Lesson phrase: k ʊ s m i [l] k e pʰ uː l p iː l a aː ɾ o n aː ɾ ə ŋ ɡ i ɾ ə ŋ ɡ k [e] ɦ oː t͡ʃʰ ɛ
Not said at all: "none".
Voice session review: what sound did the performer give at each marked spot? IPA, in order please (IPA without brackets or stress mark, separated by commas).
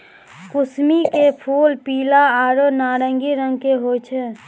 none, e